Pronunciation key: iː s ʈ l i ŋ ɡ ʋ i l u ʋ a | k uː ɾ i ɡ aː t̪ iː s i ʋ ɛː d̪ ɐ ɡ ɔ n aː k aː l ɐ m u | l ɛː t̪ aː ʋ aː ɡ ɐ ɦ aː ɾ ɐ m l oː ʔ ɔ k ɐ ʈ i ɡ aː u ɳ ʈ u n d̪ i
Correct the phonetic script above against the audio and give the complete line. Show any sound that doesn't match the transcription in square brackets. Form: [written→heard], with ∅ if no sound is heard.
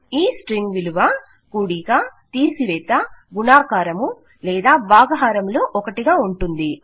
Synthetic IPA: iː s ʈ [l→ɾ] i ŋ ɡ ʋ i l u ʋ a | k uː [ɾ→ɽ] i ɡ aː t̪ iː s i ʋ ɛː [d̪→t̪] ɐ ɡ [ɔ→u] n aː k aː [l→ɾ] ɐ m u | l ɛː [t̪→d̪] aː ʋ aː ɡ ɐ ɦ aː ɾ ɐ m l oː ʔ ɔ k ɐ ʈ i ɡ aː u ɳ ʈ u n d̪ i